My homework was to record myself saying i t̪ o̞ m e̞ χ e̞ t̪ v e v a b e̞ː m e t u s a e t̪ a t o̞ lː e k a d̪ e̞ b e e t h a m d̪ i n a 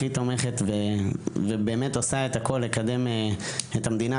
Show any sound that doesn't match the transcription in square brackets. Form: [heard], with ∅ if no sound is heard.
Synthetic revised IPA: i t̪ o̞ m e̞ χ e̞ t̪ v e v [e] b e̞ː m e t [o] s a e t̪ a [k] o̞ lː e k a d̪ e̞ [m] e e t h a m d̪ i n a

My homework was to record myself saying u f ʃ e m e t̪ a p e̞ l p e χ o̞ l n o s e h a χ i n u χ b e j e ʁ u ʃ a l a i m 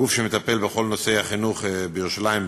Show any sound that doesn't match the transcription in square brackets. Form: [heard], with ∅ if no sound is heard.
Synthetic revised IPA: u f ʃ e m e t̪ a p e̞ l [b] e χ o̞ l n o s e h a χ i n u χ b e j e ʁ u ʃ a l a i m

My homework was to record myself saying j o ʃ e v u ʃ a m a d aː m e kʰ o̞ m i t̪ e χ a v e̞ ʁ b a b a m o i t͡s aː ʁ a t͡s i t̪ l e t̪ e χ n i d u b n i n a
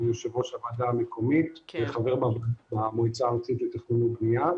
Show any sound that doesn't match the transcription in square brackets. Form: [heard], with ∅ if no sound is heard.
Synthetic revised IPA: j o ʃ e v [o] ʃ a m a d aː m e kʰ o̞ m i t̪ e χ a v e̞ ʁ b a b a m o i t͡s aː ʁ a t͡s i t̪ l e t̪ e χ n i [n] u b n i [∅] a

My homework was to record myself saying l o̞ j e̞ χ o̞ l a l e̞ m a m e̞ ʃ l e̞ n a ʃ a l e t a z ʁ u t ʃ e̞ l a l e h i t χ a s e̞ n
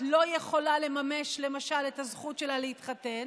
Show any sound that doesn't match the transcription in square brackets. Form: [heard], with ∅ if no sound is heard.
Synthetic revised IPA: l o̞ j e̞ χ o̞ l a l e̞ m a m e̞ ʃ l e̞ [m] a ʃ a l e t a z [χ] u t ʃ e̞ l a l e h i t χ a [t] e̞ n

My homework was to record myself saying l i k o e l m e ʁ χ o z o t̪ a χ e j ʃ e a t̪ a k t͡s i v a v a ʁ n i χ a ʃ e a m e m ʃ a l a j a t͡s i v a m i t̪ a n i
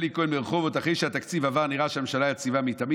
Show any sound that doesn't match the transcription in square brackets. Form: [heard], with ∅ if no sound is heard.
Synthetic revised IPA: l i k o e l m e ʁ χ o [v] o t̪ a χ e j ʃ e a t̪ a k t͡s i v a v a ʁ n i [ʁ] a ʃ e a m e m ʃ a l a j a t͡s i v a m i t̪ a [m] i

